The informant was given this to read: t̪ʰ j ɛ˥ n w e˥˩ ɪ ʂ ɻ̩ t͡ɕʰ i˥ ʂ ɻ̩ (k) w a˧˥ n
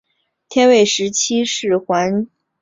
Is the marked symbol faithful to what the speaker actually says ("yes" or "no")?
no